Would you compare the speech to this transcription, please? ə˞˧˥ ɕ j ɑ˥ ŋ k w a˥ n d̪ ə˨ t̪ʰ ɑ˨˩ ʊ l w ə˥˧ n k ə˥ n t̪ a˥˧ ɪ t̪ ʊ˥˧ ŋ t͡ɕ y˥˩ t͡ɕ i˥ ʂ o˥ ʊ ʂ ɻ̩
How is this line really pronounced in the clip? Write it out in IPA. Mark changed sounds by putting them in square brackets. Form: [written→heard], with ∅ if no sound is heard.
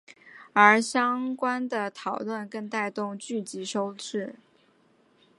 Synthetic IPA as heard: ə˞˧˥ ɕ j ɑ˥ ŋ k w a˥ n d̪ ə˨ t̪ʰ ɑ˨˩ ʊ l w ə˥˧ n k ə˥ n t̪ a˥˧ ɪ t̪ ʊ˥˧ ŋ t͡ɕ y˥˩ t͡ɕ [i˥→i˧˥] ʂ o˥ ʊ [ʂ→ʈ͡ʂ] ɻ̩